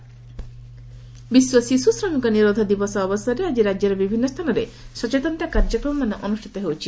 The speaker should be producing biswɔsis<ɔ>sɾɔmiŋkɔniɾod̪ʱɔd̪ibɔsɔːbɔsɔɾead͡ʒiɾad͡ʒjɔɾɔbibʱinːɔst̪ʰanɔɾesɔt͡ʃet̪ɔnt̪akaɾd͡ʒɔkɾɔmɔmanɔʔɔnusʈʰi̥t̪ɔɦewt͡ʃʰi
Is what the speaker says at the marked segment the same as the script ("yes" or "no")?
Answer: no